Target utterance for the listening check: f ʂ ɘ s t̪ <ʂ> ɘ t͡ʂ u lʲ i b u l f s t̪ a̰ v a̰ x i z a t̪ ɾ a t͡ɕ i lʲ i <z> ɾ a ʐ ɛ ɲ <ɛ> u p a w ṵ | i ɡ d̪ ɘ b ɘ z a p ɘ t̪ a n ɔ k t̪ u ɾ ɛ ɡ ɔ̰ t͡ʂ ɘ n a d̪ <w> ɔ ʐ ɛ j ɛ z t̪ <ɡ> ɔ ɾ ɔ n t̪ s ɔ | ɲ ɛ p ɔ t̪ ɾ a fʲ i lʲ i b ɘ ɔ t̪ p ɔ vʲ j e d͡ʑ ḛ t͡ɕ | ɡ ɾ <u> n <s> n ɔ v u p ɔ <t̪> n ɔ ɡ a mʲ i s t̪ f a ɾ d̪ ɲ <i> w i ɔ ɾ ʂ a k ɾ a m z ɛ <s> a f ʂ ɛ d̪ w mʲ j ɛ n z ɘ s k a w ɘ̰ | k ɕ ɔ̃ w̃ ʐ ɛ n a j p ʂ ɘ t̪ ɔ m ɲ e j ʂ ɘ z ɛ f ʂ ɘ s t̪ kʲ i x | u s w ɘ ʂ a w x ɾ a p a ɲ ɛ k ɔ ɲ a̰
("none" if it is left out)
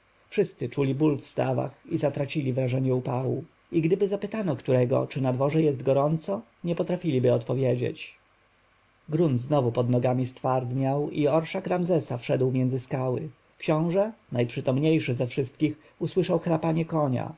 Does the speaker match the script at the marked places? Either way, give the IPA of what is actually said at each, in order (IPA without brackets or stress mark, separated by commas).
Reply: s, v, ɛ, v, ɡ, u, z, d̪, a, s